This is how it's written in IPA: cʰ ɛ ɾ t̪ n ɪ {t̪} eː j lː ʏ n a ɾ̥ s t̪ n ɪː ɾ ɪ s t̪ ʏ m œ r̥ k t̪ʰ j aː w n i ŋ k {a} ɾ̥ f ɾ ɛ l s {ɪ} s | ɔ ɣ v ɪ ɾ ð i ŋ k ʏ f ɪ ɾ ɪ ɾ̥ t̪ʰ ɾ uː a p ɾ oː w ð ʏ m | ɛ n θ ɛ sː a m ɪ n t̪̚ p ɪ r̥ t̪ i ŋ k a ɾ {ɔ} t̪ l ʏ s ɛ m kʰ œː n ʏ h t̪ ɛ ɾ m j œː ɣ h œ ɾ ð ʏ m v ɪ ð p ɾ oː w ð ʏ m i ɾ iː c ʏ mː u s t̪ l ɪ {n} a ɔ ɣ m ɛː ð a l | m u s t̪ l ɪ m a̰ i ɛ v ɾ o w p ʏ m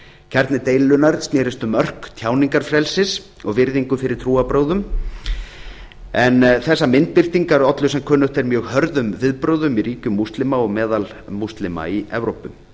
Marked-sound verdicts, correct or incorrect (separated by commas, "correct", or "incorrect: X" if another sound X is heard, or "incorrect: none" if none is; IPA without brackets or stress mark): correct, correct, correct, correct, incorrect: m